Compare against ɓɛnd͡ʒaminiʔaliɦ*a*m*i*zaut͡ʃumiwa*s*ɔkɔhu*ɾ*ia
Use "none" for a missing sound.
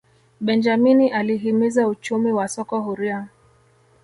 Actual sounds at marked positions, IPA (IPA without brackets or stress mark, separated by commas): i, i, s, ɾ